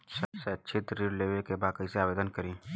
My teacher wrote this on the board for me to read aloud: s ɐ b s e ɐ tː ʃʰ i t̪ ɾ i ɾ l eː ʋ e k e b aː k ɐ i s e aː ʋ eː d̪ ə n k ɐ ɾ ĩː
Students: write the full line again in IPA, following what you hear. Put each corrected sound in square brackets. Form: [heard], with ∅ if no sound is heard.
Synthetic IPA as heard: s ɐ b s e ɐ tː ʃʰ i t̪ ɾ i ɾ l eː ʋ e k e b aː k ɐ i s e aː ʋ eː d̪ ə n k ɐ ɾ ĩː